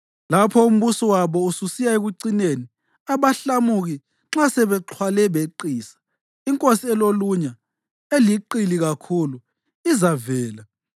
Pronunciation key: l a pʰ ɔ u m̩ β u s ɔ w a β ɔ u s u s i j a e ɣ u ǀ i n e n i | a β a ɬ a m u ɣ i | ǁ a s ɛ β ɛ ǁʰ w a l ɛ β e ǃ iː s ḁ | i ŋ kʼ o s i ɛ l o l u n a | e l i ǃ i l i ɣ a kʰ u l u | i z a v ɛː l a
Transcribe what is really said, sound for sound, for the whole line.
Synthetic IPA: l a pʰ ɔ u m̩ β u s ɔ w a β ɔ u s u s i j a e ɣ u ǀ i n e n i | a β a ɬ a m u ɣ i | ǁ a s ɛ β ɛ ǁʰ w a l ɛ β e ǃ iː s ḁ | i ŋ kʼ o s i ɛ l o l u ɲ a | e l i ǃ i l i ɣ a kʰ u l u | i z a v ɛː l a